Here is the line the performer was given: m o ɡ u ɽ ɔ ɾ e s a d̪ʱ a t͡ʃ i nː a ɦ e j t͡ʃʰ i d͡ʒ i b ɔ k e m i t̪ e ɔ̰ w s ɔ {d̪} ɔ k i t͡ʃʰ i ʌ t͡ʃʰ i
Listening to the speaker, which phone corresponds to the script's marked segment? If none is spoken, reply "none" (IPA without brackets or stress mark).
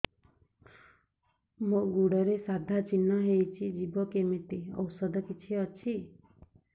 d̪